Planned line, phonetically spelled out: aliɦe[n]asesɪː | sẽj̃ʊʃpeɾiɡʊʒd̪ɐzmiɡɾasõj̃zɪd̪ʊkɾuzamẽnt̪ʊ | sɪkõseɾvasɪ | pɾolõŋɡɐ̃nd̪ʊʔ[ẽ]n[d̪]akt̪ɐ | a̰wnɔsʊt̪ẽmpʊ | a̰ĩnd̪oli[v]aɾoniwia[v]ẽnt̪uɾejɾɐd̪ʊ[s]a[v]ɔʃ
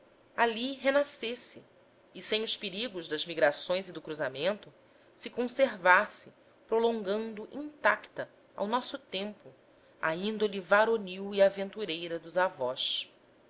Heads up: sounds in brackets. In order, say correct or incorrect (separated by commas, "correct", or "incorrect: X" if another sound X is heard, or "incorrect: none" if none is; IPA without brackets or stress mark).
correct, incorrect: ĩ, incorrect: t̪, correct, correct, incorrect: z, correct